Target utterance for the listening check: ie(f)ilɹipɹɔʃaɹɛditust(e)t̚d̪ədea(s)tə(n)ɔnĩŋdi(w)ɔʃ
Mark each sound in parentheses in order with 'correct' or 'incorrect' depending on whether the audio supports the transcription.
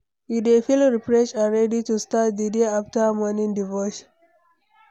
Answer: correct, incorrect: a, incorrect: f, incorrect: m, incorrect: v

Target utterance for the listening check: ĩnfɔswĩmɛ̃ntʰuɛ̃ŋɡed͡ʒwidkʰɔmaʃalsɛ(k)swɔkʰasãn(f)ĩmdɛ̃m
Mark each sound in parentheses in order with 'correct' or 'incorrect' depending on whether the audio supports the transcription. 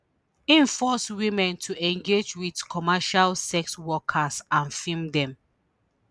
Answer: correct, correct

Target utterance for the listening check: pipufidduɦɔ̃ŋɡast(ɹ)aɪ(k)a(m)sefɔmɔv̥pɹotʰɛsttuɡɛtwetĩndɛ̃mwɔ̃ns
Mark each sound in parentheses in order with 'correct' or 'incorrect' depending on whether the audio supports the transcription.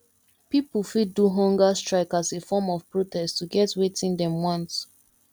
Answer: correct, correct, incorrect: none

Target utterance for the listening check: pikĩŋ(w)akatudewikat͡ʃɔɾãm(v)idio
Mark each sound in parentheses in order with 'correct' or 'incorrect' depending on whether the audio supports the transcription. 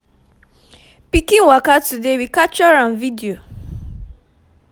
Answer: correct, correct

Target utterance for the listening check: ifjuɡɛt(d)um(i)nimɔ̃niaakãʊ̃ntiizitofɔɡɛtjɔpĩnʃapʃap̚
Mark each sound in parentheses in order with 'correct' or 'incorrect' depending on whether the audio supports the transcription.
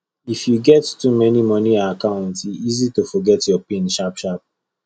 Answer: incorrect: t, incorrect: ɛ

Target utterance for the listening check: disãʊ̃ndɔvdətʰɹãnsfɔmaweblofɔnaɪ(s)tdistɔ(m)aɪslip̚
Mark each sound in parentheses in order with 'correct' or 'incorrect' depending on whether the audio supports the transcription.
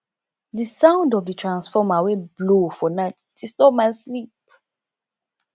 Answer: incorrect: none, correct

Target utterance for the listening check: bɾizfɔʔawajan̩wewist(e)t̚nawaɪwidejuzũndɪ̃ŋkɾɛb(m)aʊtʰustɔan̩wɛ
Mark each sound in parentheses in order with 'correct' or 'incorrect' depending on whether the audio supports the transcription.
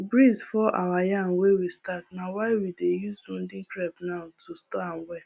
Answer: incorrect: a, incorrect: n

